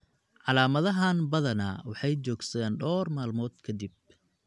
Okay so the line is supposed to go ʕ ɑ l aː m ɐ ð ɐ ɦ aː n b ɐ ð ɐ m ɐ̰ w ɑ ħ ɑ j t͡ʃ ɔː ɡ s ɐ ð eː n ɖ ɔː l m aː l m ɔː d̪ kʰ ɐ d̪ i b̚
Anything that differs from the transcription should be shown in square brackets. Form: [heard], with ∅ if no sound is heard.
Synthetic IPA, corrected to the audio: ʕ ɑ l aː m ɐ ð ɐ ɦ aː n b ɐ ð ɐ [n] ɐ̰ w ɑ ħ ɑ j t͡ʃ ɔː ɡ s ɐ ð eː n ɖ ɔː [r] m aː l m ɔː d̪ kʰ ɐ d̪ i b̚